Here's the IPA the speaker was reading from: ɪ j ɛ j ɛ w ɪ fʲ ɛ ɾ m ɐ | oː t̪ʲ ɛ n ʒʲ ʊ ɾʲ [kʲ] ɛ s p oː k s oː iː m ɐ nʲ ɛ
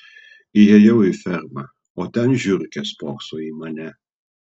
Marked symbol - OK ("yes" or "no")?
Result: yes